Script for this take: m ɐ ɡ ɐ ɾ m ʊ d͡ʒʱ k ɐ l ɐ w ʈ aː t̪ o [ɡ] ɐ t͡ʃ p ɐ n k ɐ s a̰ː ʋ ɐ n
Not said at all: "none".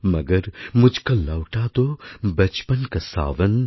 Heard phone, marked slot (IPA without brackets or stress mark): b